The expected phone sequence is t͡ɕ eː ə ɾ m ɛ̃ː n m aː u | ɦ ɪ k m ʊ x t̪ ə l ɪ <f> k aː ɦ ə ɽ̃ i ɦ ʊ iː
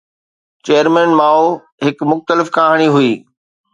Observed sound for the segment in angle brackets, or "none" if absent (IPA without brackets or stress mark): f